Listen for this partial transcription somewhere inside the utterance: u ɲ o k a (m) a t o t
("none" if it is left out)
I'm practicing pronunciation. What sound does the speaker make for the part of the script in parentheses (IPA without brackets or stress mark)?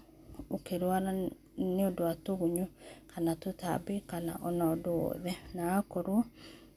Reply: n